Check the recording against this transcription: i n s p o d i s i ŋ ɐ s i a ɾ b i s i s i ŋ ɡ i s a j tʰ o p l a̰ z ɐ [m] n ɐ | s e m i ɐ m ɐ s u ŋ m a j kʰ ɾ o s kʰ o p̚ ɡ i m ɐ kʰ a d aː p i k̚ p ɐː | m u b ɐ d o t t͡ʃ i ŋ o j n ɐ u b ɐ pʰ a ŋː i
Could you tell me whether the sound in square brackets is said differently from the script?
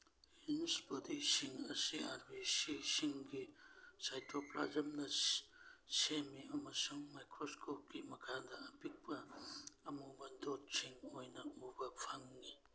no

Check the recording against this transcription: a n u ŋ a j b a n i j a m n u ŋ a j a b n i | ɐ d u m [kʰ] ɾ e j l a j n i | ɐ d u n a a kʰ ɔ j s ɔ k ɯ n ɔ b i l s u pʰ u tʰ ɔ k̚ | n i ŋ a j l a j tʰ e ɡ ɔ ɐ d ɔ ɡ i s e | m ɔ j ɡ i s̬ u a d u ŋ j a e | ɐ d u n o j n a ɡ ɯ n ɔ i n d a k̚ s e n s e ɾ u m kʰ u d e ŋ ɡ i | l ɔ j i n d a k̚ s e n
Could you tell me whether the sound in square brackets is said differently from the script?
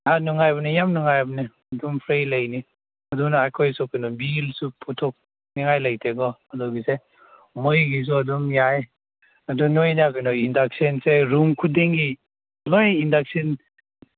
yes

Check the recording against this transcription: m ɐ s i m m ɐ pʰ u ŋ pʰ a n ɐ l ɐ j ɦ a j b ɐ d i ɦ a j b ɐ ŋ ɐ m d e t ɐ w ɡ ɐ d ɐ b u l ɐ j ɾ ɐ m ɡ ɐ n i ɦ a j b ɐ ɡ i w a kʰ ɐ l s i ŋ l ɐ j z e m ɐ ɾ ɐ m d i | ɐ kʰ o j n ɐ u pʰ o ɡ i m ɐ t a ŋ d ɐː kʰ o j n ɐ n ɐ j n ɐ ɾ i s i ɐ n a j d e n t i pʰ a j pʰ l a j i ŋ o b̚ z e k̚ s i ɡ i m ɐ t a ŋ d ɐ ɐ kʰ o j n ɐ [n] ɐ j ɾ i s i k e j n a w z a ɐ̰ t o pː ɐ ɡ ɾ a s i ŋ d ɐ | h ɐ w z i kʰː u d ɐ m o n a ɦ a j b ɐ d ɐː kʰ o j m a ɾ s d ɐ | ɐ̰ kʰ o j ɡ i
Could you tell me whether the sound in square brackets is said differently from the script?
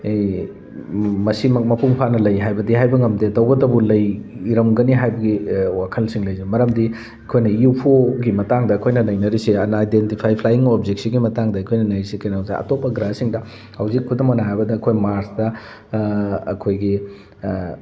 no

